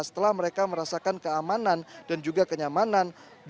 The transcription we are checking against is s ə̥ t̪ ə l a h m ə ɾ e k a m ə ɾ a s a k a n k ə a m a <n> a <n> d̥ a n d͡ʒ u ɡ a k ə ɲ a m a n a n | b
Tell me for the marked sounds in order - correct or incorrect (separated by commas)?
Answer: correct, correct